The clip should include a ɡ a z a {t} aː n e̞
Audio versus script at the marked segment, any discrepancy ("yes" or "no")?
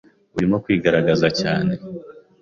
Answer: yes